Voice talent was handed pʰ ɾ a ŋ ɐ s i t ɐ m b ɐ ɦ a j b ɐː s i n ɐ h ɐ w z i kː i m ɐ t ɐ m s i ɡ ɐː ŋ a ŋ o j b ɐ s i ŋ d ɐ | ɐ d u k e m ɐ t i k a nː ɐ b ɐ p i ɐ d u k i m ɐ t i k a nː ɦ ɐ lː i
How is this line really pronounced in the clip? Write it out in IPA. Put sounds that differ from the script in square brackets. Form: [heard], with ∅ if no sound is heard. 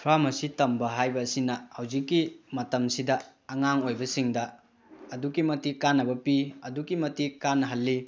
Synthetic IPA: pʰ ɾ a [m] ɐ s i t ɐ m b ɐ ɦ a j b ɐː s i n ɐ h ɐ w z i kː i m ɐ t ɐ m s i [d] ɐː ŋ a ŋ o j b ɐ s i ŋ d ɐ | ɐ d u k [i] m ɐ t i k a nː ɐ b ɐ p i ɐ d u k i m ɐ t i k a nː ɦ ɐ lː i